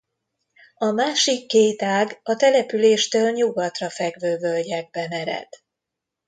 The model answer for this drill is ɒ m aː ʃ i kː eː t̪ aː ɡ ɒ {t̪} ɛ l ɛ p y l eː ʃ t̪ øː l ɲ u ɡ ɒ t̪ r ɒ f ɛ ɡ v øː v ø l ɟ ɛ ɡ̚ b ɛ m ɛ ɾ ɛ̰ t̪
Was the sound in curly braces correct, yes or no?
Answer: yes